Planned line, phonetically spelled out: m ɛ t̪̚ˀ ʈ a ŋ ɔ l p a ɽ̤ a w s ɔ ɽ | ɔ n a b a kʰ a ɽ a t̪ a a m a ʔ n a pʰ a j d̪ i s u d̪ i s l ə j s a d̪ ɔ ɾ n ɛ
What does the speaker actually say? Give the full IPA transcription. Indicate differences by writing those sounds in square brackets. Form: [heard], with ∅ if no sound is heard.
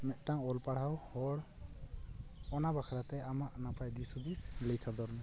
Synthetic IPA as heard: m ɛ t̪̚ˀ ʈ a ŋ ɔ l p a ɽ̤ a w [h] ɔ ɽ | ɔ n a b a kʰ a [ɾ] a t̪ [ɛ] a m a ʔ n a pʰ a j d̪ i s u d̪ i s l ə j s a d̪ ɔ ɾ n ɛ